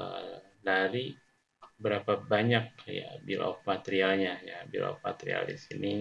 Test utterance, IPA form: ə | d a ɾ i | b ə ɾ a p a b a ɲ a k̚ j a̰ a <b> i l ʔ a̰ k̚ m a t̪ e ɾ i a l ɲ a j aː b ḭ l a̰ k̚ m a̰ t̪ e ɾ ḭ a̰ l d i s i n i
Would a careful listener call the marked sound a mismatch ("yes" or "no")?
no